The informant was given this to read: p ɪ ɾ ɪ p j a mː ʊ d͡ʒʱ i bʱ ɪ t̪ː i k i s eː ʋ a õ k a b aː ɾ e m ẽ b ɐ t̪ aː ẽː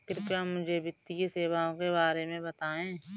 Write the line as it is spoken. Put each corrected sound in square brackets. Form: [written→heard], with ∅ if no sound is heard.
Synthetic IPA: [p→k] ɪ ɾ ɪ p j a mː ʊ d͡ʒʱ [i→e] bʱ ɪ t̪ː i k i s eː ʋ a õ k [a→e] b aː ɾ e m ẽ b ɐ t̪ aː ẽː